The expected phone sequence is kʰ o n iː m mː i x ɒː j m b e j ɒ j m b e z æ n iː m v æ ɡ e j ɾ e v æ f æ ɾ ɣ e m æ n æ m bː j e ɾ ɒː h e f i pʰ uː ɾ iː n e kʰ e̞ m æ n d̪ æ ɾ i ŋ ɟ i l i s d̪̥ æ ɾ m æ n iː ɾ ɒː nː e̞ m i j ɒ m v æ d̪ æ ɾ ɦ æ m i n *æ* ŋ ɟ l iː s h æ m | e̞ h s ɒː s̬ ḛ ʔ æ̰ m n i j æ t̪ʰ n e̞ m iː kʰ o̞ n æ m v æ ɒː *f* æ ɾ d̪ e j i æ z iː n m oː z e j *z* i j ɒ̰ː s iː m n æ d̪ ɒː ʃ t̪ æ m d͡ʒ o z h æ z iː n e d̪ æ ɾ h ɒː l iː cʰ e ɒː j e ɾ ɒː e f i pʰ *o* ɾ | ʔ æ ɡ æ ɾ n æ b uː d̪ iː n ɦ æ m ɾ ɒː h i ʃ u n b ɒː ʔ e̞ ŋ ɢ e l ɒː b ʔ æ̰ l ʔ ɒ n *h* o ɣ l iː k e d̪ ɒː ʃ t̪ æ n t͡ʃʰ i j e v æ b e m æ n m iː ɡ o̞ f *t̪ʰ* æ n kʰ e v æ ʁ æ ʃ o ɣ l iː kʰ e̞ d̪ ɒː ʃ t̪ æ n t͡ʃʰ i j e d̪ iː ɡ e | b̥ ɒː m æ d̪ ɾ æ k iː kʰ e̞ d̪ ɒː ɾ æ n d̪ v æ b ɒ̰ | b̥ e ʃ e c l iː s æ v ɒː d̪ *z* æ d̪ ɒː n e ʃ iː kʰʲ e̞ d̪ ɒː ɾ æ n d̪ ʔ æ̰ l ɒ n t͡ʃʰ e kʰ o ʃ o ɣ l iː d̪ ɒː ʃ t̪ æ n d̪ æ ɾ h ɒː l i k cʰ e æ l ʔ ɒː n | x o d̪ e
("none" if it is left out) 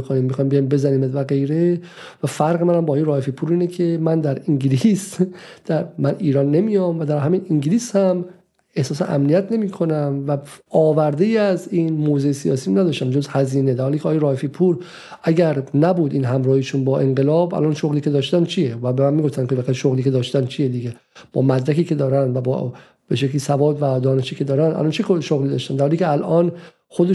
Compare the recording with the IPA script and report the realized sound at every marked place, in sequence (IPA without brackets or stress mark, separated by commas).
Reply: i, v, s, u, ʃ, t̪, v